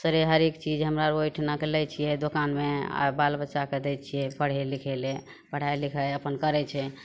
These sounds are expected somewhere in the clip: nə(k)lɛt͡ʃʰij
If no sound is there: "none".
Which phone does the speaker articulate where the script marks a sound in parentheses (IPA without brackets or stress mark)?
k